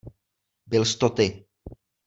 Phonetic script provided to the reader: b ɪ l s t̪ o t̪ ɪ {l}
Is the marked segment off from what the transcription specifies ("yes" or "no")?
yes